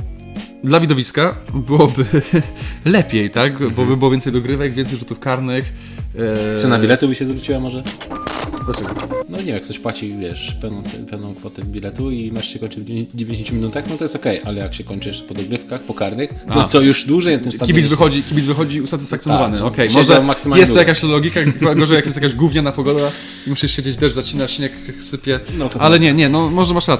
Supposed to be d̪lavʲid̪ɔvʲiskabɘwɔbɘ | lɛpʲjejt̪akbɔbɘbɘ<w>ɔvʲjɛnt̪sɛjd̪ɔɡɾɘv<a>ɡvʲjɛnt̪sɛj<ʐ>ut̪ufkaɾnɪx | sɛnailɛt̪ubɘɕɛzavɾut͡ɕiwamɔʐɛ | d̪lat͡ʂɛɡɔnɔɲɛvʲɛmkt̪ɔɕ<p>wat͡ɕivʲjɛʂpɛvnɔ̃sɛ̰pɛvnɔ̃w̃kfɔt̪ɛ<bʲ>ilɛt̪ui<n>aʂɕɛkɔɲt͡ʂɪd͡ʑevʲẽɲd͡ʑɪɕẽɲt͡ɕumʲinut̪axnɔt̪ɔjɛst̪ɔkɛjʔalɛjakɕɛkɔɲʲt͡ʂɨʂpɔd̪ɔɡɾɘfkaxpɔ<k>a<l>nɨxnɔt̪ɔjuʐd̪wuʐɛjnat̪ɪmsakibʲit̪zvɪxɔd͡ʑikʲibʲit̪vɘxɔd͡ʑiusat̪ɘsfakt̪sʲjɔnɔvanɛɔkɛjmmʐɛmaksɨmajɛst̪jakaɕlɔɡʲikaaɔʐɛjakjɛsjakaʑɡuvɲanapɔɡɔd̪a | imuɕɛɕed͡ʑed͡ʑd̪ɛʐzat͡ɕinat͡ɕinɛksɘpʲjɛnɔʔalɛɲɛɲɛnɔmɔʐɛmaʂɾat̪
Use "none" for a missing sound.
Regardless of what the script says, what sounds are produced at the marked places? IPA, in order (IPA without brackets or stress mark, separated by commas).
w, ɛ, ʐ, p, bʲ, m, k, ɾ